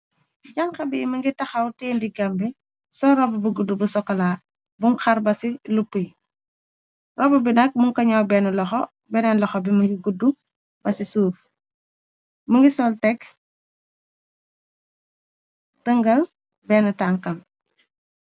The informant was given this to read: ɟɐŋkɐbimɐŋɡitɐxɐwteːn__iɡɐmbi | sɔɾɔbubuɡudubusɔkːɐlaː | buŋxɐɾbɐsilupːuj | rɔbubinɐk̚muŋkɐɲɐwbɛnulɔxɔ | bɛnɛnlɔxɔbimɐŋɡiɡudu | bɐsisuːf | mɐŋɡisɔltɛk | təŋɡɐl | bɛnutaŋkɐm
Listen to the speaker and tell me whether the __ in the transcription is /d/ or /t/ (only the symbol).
d